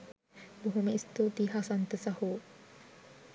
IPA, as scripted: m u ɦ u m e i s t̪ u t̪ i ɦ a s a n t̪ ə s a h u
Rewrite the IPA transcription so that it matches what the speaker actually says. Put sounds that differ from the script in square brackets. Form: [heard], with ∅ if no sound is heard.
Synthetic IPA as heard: [b] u ɦ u m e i s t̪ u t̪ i ɦ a s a n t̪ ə s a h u